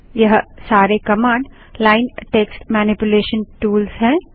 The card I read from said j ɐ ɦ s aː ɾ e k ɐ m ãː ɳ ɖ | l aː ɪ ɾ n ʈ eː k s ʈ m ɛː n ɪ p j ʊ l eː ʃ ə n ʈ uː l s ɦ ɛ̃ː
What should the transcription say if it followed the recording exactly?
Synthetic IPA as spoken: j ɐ ɦ s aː ɾ e k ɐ m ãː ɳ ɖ | l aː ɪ n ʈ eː k s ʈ m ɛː n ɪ p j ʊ l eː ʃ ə n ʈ uː l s ɦ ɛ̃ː